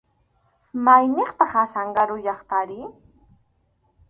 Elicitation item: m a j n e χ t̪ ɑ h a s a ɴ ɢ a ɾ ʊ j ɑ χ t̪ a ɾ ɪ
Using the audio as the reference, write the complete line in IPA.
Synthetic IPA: m a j n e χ t̪ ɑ χ a s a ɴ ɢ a ɾ ʊ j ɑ χ t̪ a ɾ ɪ